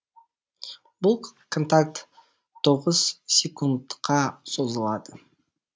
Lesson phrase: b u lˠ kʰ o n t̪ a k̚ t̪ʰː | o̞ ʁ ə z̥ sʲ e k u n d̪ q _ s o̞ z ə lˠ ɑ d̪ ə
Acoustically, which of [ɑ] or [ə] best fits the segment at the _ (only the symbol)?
ɑ